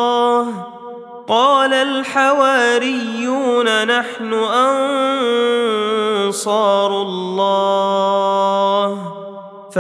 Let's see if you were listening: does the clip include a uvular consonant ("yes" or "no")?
yes